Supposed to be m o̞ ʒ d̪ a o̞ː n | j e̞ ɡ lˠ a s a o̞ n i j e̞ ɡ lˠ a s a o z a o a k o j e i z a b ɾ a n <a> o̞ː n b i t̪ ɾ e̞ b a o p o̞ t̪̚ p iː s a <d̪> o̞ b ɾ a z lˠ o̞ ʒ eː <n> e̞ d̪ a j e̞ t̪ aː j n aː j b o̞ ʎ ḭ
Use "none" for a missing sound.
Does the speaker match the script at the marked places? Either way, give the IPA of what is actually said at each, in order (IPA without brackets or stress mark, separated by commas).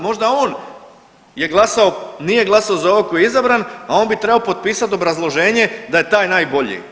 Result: a, t̪, ɲ